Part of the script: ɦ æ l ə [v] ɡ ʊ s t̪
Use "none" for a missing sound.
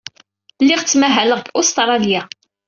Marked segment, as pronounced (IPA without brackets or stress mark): ʁ